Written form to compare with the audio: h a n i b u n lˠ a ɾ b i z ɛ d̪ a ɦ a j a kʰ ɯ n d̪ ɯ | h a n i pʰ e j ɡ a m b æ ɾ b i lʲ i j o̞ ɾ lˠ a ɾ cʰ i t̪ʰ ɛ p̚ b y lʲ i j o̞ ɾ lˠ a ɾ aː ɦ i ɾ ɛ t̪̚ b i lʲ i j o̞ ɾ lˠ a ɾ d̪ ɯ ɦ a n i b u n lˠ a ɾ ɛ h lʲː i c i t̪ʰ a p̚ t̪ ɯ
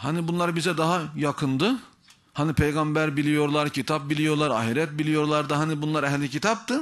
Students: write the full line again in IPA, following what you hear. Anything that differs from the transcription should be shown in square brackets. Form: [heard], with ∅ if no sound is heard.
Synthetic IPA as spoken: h a n i b u n lˠ a ɾ b i z ɛ d̪ a ɦ a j a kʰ ɯ n d̪ ɯ | h a n i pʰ e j ɡ a m b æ ɾ b i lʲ i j o̞ ɾ lˠ a ɾ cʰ i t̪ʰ [a] p̚ b [i] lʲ i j o̞ ɾ lˠ a ɾ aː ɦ i ɾ ɛ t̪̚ b i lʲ i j o̞ ɾ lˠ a ɾ d̪ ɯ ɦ a n i b u n lˠ a ɾ ɛ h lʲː i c i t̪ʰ a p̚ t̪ ɯ